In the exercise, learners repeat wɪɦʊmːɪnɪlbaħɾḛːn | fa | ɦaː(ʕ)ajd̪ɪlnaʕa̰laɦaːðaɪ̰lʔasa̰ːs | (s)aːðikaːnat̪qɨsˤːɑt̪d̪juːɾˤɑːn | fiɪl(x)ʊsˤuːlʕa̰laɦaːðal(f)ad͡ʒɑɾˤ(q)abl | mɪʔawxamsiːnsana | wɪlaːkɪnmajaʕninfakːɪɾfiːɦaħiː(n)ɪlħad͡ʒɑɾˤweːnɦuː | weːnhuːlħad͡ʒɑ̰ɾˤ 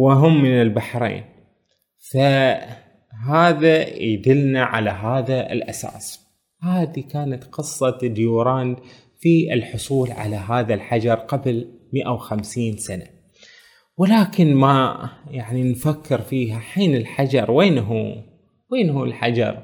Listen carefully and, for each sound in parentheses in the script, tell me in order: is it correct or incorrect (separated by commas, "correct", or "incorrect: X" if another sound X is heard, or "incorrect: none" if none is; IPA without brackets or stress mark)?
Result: incorrect: ð, incorrect: h, incorrect: ħ, incorrect: ħ, correct, correct